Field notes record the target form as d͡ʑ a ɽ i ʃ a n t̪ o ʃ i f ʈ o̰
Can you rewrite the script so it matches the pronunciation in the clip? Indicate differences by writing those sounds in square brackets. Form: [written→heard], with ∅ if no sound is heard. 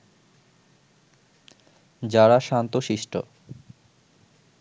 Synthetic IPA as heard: d͡ʑ a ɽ [i→a] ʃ a n t̪ o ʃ i [f→ʃ] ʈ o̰